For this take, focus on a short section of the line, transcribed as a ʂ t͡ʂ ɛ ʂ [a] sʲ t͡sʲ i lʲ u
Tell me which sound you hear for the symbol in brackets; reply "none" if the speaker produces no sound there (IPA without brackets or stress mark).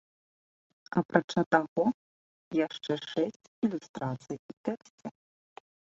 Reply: ɛ